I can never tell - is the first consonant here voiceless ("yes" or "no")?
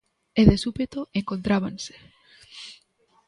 no